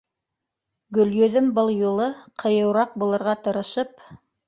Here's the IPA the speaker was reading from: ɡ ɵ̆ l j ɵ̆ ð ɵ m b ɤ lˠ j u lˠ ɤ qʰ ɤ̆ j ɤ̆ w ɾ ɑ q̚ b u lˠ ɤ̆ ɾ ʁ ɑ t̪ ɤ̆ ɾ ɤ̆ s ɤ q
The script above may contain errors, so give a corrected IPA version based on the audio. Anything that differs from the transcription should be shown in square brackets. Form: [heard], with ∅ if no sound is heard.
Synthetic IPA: ɡ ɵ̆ l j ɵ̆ ð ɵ m b ɤ lˠ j u lˠ ɤ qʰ ɤ̆ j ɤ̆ w ɾ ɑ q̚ b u lˠ ɤ̆ ɾ ʁ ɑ t̪ ɤ̆ ɾ ɤ̆ [ʃ] ɤ [p]